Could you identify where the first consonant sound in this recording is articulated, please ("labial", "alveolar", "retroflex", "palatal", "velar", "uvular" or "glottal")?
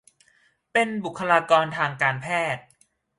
labial